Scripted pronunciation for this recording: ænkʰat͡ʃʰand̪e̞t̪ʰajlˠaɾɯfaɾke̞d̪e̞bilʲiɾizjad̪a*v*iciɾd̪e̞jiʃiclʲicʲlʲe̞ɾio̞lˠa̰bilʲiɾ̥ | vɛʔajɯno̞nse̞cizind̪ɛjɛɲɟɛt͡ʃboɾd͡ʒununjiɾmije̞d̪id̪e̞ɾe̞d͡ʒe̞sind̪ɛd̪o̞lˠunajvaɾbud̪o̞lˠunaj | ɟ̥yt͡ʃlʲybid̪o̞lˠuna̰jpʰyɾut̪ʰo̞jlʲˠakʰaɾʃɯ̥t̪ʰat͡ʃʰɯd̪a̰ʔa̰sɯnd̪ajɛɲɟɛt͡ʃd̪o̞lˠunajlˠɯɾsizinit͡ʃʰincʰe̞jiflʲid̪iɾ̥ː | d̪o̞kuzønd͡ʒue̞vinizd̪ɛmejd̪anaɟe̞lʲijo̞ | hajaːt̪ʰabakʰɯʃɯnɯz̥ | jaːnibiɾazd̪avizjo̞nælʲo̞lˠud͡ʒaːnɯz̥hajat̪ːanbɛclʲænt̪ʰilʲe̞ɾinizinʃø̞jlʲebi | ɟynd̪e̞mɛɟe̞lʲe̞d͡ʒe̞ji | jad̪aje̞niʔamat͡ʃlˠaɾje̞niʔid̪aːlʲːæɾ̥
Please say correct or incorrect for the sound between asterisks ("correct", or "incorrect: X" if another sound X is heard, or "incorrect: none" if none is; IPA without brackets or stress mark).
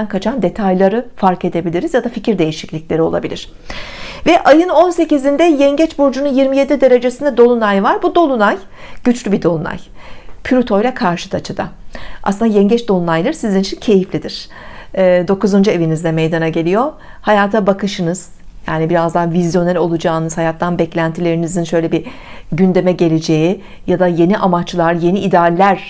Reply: incorrect: f